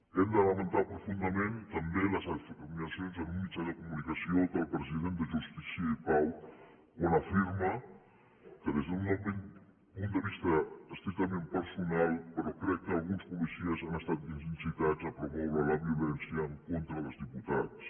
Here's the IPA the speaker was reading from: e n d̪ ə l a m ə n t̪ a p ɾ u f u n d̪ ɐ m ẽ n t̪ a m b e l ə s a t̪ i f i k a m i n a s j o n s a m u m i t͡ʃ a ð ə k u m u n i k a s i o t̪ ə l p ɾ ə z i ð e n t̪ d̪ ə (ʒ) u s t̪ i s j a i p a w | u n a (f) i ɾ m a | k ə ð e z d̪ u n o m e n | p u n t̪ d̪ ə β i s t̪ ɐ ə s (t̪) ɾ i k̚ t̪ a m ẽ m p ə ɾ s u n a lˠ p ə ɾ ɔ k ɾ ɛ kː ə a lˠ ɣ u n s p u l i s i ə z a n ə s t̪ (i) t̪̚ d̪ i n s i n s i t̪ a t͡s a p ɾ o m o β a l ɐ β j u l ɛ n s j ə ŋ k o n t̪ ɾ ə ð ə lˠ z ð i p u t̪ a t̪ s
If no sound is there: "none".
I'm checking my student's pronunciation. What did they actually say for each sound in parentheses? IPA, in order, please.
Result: ʒ, f, t̪, a

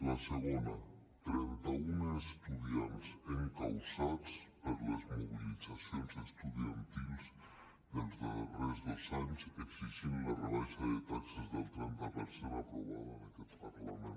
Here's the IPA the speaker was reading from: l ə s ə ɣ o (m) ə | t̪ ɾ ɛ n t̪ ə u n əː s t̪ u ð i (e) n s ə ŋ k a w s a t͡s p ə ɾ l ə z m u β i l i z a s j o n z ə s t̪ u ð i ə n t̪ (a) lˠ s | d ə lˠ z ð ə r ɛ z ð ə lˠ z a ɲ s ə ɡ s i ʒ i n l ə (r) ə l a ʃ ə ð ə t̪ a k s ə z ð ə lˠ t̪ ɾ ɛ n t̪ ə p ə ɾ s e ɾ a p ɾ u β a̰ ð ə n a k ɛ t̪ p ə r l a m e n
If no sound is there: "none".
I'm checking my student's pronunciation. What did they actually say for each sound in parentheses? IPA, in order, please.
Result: n, a, i, r

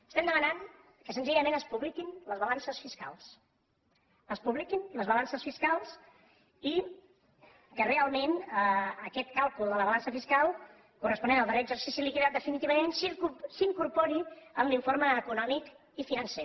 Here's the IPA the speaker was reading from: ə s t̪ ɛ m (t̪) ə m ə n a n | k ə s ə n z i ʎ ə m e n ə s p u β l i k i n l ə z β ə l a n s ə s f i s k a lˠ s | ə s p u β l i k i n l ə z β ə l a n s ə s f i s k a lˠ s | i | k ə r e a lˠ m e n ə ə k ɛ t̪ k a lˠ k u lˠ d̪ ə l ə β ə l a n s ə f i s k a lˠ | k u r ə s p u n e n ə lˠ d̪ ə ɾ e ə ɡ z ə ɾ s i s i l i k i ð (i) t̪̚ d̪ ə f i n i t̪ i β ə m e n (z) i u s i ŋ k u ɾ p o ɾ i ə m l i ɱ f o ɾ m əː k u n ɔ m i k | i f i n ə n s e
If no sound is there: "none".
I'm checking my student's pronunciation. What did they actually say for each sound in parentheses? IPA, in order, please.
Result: d̪, a, s

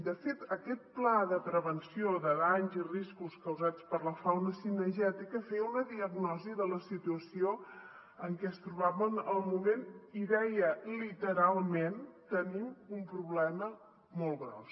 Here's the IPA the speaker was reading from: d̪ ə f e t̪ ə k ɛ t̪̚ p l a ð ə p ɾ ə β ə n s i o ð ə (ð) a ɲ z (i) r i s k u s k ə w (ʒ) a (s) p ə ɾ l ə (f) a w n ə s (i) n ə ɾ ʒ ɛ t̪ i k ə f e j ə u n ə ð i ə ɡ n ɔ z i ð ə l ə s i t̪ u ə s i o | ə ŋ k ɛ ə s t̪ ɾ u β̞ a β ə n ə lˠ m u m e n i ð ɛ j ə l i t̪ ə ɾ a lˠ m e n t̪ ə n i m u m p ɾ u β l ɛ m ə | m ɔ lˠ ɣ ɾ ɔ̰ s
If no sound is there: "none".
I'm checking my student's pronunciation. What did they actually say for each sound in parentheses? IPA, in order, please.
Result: ð, i, z, t͡s, f, i

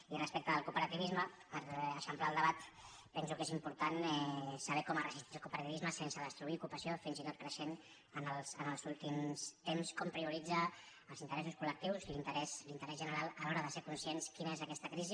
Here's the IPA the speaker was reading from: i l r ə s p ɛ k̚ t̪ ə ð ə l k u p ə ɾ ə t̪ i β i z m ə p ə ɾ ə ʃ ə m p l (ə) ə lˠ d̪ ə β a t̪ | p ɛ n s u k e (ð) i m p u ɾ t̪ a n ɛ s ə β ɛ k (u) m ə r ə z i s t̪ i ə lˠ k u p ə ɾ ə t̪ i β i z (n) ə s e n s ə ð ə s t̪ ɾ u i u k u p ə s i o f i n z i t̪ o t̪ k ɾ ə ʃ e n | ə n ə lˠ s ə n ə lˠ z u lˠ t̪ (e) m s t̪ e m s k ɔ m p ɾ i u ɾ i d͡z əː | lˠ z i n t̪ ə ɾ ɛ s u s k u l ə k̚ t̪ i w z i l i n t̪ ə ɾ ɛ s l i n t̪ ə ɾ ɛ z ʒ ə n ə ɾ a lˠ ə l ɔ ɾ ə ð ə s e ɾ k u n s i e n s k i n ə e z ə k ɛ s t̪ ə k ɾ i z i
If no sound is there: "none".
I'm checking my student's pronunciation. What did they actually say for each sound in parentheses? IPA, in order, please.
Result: a, z, ɔ, m, i

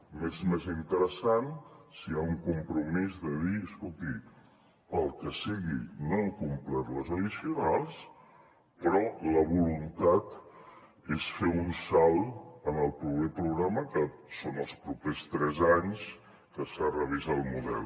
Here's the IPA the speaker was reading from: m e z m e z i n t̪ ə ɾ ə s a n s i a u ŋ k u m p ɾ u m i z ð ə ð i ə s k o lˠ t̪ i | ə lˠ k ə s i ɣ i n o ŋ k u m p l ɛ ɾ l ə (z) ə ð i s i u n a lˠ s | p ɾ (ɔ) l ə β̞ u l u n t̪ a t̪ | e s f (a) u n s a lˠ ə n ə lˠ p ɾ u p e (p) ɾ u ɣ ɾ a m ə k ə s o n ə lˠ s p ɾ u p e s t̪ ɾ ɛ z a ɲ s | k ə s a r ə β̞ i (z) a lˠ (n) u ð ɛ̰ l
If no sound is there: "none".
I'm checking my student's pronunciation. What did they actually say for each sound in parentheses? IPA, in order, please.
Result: z, ɔ, e, p, z, m

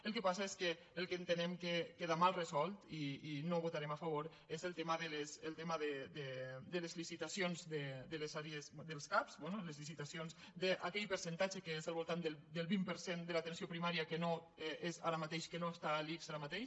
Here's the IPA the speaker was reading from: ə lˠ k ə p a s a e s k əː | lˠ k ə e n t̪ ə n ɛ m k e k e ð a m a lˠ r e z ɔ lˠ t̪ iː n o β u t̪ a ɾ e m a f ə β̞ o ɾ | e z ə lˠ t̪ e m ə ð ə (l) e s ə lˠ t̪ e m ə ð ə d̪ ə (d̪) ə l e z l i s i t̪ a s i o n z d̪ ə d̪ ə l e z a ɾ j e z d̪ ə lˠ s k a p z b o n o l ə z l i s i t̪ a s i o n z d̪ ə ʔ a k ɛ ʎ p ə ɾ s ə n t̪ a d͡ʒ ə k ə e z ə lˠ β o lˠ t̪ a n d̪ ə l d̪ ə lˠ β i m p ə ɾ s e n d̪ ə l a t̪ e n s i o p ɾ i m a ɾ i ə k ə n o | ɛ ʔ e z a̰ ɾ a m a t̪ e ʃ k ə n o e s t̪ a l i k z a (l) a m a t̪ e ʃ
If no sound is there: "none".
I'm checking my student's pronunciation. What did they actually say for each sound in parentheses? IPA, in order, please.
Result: l, d̪, ɾ

